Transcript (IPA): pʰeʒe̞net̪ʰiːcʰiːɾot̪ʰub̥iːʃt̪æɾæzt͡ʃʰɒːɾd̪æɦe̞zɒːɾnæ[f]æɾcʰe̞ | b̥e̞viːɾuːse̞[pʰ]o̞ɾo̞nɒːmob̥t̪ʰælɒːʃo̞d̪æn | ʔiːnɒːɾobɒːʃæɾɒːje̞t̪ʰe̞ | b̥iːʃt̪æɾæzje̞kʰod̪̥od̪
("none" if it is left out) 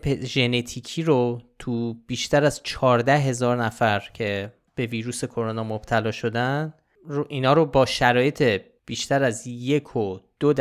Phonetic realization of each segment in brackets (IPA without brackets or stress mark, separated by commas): f, kʰ